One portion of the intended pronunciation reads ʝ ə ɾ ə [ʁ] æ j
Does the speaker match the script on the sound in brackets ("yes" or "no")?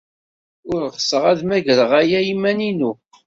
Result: yes